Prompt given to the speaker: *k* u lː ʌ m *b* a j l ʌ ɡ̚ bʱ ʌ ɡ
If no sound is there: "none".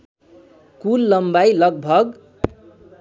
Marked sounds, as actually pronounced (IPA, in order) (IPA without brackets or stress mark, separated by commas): k, b